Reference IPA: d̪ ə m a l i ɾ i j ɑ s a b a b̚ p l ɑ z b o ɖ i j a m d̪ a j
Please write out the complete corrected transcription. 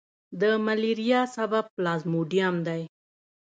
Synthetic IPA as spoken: d̪ ə m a l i ɾ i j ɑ s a b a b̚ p l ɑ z m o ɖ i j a m d̪ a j